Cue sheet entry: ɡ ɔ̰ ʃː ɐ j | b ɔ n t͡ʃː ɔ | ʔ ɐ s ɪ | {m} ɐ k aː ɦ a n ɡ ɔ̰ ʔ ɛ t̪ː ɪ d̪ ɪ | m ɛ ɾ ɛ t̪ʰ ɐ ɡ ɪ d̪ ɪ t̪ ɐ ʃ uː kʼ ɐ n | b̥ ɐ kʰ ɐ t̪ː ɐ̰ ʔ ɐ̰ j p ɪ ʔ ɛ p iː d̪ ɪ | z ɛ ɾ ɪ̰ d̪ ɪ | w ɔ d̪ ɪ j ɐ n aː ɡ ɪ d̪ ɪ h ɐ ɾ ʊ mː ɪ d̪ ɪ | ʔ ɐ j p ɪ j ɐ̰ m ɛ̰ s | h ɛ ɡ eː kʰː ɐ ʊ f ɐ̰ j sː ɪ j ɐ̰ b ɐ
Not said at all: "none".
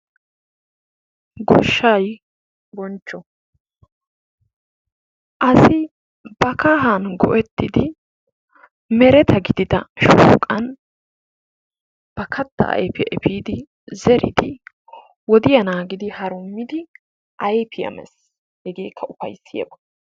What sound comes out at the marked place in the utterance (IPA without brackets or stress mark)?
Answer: b